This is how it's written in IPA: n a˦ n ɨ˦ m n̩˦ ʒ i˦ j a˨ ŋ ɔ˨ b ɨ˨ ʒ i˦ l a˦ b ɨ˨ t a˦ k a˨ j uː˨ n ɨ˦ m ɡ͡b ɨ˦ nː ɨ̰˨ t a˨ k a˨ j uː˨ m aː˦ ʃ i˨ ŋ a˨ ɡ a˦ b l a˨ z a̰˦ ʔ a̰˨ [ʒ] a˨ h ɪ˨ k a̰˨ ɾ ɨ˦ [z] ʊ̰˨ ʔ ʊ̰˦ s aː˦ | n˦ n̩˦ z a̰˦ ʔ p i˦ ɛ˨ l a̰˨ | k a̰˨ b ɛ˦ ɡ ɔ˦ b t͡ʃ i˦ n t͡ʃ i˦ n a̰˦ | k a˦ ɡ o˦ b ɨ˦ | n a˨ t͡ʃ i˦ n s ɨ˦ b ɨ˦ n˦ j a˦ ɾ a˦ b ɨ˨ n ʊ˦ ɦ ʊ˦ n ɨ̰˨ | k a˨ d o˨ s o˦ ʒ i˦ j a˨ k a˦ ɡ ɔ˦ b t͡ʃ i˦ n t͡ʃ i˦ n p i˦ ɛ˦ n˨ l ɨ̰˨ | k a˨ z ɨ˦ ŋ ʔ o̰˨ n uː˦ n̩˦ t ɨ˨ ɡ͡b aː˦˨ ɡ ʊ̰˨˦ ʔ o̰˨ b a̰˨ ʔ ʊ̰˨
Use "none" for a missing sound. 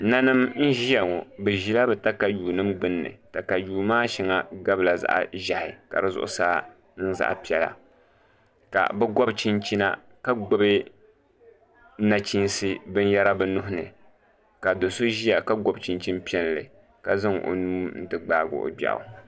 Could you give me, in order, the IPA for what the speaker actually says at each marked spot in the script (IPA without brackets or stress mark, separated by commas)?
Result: ʒ, z